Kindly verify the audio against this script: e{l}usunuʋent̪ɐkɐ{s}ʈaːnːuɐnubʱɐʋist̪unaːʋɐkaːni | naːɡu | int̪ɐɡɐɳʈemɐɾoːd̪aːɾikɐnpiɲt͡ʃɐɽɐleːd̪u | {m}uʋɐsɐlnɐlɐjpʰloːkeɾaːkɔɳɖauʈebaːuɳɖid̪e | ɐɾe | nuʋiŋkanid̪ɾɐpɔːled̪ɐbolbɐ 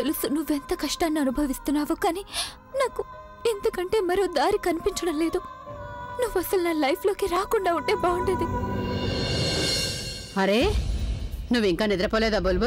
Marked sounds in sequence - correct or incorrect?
correct, incorrect: ʂ, incorrect: n

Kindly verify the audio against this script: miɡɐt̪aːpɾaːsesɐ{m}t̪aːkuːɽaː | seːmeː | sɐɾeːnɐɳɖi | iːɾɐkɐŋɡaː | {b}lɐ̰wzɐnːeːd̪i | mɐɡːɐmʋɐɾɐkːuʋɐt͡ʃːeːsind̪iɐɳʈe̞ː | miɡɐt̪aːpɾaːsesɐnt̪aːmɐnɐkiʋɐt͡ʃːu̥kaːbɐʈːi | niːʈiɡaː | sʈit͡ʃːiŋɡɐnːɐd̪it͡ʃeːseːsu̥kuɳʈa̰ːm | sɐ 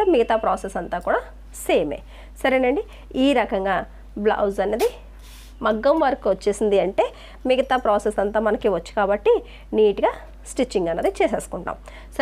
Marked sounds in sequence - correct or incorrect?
incorrect: n, correct

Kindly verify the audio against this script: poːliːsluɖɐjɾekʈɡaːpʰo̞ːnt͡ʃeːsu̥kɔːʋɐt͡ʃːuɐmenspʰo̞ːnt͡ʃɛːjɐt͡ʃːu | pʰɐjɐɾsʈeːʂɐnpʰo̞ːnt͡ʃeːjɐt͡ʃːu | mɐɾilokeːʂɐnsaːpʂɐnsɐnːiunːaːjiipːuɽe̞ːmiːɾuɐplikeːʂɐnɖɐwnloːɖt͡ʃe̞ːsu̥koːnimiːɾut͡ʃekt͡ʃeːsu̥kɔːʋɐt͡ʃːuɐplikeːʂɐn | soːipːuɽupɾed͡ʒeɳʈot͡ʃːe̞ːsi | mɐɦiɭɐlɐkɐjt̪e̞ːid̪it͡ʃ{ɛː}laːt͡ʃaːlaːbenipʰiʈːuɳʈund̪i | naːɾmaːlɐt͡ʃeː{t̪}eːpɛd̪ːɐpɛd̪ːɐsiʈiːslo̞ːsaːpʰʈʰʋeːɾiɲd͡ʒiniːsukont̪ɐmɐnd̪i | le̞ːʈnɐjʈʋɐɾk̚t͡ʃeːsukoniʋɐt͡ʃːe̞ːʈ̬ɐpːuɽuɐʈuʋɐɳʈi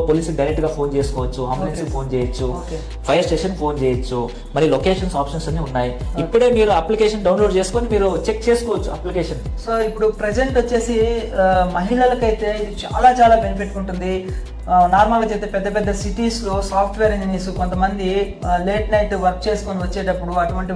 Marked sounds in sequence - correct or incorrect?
incorrect: aː, correct

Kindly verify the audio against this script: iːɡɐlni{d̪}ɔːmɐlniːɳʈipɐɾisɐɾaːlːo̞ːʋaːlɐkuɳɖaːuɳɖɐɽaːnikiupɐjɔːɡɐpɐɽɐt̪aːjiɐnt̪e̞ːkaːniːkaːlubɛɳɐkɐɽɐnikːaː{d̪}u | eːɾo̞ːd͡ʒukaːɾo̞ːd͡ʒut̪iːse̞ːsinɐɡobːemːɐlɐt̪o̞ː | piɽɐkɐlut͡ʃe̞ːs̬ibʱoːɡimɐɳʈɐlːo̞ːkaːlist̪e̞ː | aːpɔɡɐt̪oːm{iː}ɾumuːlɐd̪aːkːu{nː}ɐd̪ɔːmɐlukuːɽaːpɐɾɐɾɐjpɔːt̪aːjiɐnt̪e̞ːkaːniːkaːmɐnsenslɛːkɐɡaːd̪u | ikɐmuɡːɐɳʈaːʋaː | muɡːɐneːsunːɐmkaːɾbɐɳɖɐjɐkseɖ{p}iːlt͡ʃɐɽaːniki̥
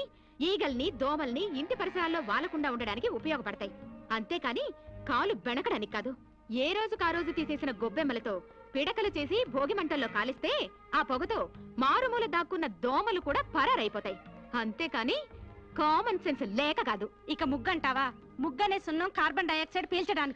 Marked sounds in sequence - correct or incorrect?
correct, correct, incorrect: aː, correct, correct

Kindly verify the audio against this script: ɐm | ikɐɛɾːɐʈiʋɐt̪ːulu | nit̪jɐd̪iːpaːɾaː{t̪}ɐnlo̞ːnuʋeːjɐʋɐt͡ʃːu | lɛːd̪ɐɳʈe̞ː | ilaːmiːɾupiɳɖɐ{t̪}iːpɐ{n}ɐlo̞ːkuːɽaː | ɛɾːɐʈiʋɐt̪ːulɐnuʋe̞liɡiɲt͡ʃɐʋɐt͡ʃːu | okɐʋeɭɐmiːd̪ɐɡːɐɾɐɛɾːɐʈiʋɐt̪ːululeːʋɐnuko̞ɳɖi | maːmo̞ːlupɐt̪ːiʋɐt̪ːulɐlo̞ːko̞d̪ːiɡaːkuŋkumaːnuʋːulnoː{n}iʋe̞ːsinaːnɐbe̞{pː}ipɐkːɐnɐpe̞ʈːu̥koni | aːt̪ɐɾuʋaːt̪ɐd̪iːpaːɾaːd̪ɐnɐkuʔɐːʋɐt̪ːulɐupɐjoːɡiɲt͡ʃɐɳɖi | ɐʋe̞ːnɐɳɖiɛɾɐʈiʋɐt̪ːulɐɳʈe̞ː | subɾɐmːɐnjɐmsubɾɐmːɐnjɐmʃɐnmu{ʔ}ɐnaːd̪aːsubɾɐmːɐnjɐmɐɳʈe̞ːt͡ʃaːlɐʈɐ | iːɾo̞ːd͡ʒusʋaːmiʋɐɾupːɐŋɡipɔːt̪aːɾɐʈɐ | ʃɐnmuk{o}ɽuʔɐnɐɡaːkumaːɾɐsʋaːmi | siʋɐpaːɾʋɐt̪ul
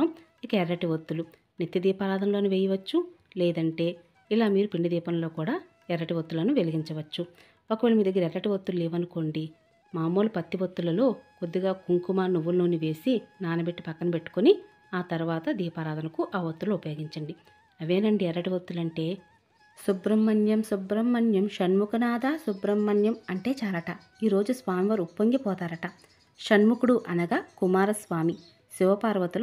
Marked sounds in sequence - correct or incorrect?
incorrect: d̪, incorrect: d̪, correct, correct, incorrect: ʈː, incorrect: k, incorrect: u

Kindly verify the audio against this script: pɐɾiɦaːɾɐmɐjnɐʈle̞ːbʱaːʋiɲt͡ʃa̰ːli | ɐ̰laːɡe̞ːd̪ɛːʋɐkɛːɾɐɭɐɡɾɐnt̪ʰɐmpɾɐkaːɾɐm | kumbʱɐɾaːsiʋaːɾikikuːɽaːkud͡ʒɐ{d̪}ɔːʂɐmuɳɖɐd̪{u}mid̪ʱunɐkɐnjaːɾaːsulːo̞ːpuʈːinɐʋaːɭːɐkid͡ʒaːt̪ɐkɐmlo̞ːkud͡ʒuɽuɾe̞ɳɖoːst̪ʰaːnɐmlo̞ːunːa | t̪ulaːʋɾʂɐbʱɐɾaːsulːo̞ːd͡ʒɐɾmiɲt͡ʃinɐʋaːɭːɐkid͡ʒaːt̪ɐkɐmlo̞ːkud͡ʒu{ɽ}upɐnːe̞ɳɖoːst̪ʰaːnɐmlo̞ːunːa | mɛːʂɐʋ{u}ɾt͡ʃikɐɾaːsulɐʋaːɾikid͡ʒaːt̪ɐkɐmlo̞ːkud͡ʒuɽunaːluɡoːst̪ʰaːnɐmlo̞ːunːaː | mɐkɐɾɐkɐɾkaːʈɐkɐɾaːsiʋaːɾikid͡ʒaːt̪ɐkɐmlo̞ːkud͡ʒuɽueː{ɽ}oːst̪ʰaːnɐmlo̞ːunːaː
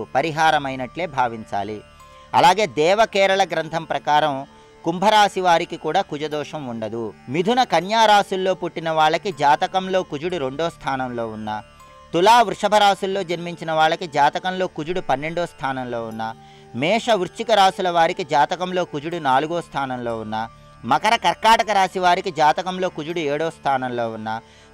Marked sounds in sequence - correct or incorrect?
correct, correct, correct, correct, correct

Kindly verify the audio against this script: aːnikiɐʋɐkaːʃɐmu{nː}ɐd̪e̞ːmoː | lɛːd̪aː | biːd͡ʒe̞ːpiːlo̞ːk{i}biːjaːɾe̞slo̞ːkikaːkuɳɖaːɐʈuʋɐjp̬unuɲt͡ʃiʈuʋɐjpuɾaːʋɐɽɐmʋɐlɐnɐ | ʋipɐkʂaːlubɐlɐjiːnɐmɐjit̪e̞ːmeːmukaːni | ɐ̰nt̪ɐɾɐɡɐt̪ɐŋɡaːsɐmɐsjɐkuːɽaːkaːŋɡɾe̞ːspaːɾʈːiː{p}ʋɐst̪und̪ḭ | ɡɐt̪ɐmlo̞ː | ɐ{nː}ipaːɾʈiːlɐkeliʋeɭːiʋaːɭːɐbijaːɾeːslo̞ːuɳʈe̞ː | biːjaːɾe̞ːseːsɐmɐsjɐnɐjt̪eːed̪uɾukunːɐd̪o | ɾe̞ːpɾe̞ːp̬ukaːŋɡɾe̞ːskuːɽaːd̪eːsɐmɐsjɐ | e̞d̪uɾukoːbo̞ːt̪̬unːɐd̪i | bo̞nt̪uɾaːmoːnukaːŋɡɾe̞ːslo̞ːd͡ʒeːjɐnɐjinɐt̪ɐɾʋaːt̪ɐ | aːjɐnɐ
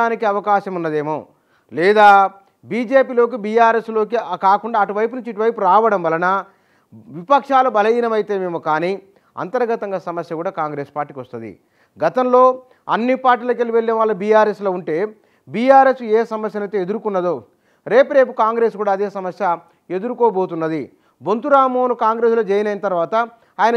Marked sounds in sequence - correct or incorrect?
correct, correct, incorrect: k, correct

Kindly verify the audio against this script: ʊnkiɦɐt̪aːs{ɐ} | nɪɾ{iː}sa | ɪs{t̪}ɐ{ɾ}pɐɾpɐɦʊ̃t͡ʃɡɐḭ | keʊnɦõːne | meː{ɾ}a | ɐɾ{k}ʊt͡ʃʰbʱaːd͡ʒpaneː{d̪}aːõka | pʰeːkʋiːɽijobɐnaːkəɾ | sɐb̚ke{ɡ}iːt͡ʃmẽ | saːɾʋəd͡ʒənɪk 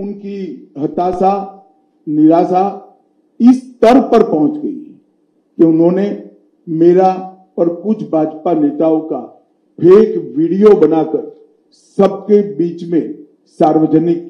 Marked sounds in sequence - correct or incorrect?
incorrect: a, incorrect: aː, correct, correct, correct, correct, incorrect: t̪, incorrect: b

